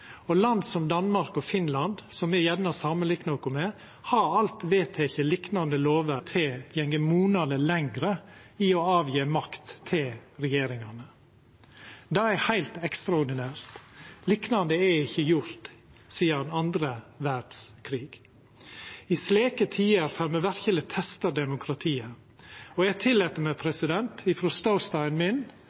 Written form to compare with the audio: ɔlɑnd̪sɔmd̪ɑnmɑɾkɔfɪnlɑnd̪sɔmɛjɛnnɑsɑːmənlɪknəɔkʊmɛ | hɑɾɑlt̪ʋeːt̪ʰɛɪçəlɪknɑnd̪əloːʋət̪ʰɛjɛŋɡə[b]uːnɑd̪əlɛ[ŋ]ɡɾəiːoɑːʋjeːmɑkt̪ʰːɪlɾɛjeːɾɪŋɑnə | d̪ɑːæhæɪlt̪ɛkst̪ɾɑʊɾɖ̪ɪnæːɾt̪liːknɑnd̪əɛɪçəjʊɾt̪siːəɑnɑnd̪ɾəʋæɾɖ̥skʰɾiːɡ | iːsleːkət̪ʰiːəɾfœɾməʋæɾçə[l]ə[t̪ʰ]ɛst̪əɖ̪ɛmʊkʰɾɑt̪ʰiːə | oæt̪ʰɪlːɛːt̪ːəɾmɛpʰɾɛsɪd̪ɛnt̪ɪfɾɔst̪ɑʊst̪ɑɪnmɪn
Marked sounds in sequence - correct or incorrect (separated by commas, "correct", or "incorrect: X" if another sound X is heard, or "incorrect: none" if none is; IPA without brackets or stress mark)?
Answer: incorrect: m, correct, correct, correct